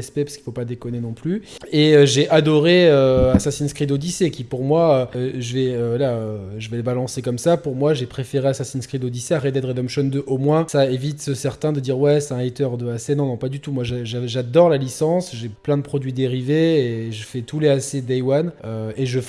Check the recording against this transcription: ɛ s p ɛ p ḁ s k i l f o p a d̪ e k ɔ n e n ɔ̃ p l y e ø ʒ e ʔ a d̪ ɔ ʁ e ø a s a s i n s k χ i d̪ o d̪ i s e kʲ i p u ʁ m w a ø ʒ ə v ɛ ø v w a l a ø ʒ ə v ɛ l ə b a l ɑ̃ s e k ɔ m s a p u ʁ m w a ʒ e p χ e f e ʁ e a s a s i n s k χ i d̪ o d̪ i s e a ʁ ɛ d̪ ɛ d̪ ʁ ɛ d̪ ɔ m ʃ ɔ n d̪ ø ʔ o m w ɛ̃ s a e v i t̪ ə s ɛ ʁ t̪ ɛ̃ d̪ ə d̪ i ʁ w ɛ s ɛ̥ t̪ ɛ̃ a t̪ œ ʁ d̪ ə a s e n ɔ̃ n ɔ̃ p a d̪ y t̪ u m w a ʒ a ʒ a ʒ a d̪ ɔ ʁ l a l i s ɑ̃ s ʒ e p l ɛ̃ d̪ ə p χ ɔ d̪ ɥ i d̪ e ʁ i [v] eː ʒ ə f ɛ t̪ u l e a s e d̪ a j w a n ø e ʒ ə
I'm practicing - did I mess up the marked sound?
no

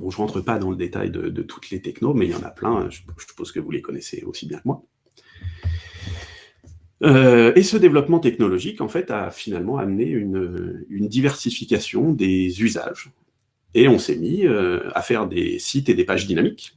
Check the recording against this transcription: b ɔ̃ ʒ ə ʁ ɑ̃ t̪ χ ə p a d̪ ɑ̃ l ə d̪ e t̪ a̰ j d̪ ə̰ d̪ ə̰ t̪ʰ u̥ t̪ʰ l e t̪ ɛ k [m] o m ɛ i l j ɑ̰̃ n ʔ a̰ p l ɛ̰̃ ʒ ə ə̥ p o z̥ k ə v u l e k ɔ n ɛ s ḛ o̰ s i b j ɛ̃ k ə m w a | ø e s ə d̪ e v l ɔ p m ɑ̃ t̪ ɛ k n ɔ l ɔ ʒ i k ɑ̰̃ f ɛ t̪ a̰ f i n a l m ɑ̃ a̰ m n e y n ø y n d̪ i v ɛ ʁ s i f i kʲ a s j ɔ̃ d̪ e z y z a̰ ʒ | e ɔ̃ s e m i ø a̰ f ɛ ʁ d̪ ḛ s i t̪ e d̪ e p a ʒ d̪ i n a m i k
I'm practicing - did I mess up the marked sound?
yes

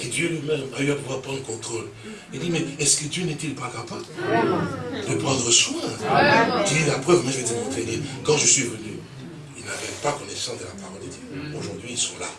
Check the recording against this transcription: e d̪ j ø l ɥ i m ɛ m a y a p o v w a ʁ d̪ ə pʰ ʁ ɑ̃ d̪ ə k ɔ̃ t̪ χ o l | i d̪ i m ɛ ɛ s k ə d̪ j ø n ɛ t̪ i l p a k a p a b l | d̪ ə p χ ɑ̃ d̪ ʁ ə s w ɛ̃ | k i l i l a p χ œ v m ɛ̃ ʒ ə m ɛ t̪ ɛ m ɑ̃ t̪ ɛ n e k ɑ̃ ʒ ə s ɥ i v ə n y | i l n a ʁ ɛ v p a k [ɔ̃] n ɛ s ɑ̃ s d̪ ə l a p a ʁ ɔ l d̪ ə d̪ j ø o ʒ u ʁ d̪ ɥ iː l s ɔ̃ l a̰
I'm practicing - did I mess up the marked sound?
yes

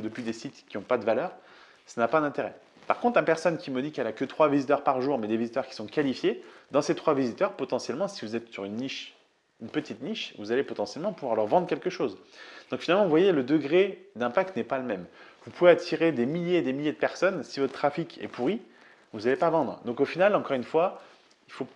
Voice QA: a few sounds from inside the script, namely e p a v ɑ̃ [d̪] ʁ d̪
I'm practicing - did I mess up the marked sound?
no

